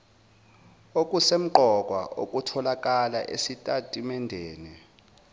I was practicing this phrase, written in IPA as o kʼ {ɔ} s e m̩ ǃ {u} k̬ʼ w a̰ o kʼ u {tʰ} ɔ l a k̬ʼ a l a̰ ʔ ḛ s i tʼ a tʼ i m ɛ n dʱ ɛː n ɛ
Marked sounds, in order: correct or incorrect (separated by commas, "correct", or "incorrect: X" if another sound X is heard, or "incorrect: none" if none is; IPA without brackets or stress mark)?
incorrect: u, incorrect: ɔ, correct